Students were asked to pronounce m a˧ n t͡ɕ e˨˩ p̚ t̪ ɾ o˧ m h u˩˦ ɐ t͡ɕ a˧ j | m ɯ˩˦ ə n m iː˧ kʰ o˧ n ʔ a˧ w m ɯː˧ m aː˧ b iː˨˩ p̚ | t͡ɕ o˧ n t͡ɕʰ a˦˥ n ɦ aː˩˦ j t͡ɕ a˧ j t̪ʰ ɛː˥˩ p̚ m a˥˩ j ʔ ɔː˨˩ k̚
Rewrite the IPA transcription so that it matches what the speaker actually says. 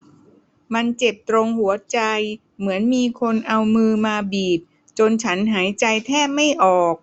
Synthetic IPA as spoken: m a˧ n t͡ɕ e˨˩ p̚ t̪ ɾ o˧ ŋ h u˩˦ ɐ t͡ɕ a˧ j | m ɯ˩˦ ə n m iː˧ kʰ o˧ n ʔ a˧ w m ɯː˧ m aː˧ b iː˨˩ p̚ | t͡ɕ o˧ n t͡ɕʰ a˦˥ n ɦ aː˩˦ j t͡ɕ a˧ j t̪ʰ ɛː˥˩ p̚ m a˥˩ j ʔ ɔː˨˩ k̚

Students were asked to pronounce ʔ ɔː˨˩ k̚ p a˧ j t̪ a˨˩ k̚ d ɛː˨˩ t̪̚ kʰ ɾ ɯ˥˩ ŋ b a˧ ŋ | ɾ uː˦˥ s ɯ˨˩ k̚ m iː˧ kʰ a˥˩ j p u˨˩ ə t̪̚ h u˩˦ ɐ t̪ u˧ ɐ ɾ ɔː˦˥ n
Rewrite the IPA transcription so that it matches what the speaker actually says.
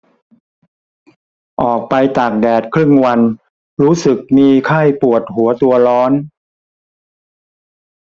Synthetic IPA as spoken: ʔ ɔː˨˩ k̚ p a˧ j t̪ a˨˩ k̚ d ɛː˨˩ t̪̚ kʰ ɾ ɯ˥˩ ŋ w a˧ n | ɾ uː˦˥ s ɯ˨˩ k̚ m iː˧ kʰ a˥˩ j p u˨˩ ə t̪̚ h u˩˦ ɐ t̪ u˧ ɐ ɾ ɔː˦˥ n

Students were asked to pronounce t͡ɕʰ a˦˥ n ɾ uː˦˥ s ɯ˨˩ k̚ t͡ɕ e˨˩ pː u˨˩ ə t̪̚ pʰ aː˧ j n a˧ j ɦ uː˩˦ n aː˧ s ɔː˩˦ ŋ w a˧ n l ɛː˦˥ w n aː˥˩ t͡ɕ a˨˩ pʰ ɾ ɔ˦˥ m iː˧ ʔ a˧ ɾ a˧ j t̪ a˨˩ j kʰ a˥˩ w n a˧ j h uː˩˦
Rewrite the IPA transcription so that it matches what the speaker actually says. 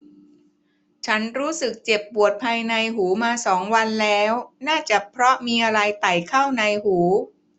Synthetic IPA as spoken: t͡ɕʰ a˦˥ n ɾ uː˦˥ s ɯ˨˩ k̚ t͡ɕ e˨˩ pː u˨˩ ə t̪̚ pʰ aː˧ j n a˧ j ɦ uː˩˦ m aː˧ s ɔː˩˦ ŋ w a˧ n l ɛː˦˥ w n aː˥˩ t͡ɕ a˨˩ pʰ ɾ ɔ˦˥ m iː˧ ʔ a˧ ɾ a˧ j t̪ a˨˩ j kʰ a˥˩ w n a˧ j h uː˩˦

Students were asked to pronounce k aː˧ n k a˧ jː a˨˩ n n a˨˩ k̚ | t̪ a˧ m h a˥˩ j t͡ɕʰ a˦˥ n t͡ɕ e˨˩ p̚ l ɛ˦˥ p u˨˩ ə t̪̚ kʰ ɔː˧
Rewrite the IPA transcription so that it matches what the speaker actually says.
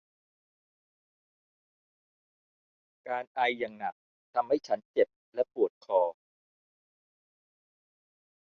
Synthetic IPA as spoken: k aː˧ n ʔ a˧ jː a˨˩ ŋ n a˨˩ k̚ | t̪ʰ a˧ m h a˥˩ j t͡ɕʰ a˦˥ n t͡ɕ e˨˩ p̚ l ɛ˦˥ p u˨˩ ə t̪̚ kʰ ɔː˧

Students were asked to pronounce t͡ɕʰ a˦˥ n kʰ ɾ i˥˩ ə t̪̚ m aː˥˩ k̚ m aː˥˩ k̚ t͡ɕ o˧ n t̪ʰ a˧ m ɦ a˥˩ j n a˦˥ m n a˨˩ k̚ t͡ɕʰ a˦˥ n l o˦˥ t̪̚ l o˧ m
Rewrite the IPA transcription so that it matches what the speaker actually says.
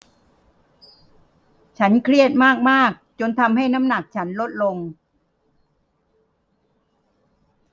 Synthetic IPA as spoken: t͡ɕʰ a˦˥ n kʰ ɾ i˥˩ ə t̪̚ m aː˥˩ k̚ m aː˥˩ k̚ t͡ɕ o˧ n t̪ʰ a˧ m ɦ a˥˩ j n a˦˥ m n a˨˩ k̚ t͡ɕʰ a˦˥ n l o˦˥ t̪̚ l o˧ ŋ

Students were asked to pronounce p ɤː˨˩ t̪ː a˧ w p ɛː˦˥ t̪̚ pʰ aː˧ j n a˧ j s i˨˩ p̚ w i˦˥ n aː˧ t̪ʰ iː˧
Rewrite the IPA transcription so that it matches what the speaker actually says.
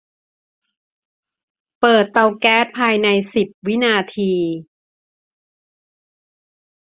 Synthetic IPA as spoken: p ɤː˨˩ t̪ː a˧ w k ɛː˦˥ t̪̚ pʰ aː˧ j n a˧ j s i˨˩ p̚ w i˦˥ n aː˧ t̪ʰ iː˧

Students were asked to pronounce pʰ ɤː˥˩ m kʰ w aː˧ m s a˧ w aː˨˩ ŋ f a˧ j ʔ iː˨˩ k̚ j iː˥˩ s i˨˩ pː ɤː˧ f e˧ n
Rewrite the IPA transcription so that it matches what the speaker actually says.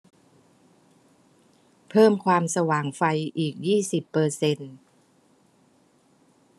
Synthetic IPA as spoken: pʰ ɤː˥˩ m kʰ w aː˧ m s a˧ w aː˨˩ ŋ f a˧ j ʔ iː˨˩ k̚ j iː˥˩ s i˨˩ pː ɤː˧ s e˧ n

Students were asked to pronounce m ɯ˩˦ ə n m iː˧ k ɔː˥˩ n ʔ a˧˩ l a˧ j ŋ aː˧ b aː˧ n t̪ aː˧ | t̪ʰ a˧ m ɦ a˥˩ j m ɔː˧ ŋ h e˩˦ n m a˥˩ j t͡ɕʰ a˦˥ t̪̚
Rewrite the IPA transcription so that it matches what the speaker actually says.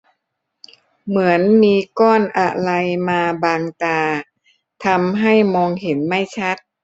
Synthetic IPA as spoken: m ɯ˩˦ ə n m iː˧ k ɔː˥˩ n ʔ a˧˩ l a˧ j m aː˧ b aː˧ ŋ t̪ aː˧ | t̪ʰ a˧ m ɦ a˥˩ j m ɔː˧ ŋ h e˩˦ n m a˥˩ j t͡ɕʰ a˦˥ t̪̚

